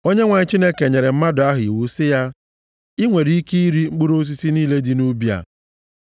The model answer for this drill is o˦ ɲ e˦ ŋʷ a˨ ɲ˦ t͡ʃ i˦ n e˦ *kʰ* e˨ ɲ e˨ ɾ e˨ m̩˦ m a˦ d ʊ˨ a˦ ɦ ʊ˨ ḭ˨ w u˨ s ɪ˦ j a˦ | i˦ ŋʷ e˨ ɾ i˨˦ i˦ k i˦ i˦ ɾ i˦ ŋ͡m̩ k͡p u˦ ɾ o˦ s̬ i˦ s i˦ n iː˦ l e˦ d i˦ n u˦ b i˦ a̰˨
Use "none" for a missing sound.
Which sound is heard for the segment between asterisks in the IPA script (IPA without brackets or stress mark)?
k